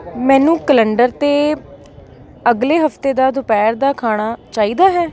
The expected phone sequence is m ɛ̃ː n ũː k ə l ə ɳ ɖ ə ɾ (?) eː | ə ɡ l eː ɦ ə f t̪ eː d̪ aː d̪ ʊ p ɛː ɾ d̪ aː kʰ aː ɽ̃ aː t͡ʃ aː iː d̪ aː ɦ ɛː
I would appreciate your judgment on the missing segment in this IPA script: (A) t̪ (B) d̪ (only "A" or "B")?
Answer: A